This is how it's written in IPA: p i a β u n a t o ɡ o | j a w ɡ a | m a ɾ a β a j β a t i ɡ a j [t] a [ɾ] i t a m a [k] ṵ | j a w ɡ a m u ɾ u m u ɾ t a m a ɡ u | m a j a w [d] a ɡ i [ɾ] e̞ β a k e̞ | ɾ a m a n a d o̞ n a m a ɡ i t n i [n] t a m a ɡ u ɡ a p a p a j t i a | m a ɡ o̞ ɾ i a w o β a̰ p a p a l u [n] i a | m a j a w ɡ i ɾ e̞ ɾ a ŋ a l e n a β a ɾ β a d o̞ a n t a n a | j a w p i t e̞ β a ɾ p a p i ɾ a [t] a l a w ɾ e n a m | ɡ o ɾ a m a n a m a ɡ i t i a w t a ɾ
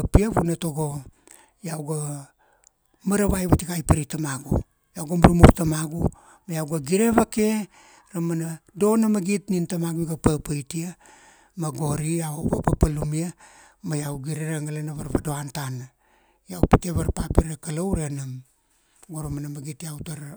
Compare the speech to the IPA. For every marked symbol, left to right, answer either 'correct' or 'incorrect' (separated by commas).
incorrect, correct, incorrect, incorrect, correct, correct, incorrect, incorrect